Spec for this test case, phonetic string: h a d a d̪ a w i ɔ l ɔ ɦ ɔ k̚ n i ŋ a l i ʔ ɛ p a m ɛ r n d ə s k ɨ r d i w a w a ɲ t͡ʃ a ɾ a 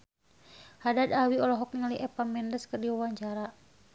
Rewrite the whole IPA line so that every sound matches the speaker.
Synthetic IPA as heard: h a d a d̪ a w i ɔ l ɔ ɦ ɔ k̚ n i ŋ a l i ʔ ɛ p a m ɛ n d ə s k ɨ r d i w a w a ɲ t͡ʃ a ɾ a